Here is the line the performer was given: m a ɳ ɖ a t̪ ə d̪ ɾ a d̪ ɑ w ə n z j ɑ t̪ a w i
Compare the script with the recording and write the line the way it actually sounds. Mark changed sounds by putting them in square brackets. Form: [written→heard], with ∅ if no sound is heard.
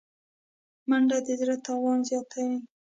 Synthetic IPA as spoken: m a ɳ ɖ a [t̪→d̪] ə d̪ ɾ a [d̪→t̪] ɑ w [ə→ɑ] n z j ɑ t̪ a w i